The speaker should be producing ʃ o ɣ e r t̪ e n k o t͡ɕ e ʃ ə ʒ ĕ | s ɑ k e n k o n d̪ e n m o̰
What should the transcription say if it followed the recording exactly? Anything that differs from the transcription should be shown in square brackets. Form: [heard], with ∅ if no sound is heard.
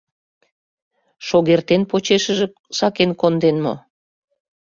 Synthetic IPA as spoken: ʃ o ɣ e r t̪ e n [p] o t͡ɕ e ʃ ə ʒ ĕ | s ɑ k e n k o n d̪ e n m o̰